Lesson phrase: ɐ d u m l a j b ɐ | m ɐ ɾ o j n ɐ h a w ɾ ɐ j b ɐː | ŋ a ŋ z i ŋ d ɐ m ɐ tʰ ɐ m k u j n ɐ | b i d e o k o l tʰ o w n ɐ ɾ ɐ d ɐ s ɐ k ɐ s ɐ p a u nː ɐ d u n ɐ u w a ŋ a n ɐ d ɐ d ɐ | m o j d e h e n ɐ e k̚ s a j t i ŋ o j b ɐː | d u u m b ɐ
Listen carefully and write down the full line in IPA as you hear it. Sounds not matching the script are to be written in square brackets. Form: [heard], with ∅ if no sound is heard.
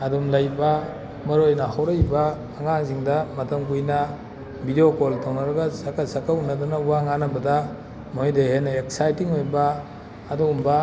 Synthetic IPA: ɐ d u m l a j b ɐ | m ɐ ɾ o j n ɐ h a w ɾ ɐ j b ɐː | ŋ a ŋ z i ŋ d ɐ m ɐ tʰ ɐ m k u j n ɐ | b i d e o k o l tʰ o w n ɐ ɾ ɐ [ɡ] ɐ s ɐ k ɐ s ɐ [k] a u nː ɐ d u n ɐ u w a ŋ a n ɐ [b] ɐ d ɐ | m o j d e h e n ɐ e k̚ s a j t i ŋ o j b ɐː | d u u m b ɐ